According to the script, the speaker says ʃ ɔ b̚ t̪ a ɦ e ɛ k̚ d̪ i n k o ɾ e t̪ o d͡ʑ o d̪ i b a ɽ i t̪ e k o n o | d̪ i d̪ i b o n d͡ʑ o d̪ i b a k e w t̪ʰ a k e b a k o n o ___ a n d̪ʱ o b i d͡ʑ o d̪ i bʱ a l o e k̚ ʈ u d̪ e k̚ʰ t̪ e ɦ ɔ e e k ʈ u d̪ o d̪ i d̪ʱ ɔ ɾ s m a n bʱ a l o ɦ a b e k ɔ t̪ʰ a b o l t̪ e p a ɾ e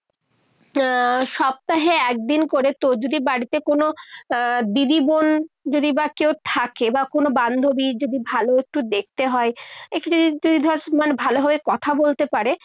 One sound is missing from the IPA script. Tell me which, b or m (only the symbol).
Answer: b